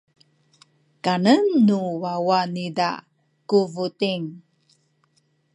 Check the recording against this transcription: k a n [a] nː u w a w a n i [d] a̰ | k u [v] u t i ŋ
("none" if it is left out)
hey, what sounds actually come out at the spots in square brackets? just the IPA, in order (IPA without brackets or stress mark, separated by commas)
ə, d, v